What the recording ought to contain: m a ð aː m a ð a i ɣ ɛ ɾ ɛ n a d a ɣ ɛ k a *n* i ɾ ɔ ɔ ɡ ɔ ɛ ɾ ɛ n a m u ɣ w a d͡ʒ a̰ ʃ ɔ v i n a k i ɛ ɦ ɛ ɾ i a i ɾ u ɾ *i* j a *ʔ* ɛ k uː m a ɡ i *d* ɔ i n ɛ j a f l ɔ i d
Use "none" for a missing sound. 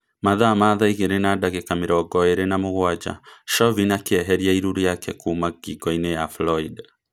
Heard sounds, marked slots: m, i, k, ɡ

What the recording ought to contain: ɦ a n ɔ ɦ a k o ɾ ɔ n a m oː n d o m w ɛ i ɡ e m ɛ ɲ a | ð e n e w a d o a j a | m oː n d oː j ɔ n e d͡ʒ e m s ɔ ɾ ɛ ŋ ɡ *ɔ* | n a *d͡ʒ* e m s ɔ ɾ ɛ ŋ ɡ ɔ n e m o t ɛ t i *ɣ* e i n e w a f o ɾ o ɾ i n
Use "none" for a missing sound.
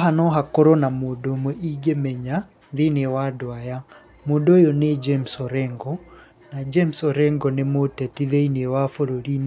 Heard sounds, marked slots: ɔ, d͡ʒ, ð

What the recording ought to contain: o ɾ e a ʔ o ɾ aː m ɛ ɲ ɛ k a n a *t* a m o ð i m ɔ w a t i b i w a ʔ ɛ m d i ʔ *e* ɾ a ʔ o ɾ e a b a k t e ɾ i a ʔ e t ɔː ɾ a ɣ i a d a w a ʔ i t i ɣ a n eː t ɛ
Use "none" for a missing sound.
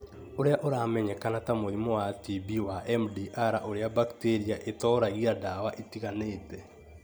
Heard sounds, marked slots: t, a

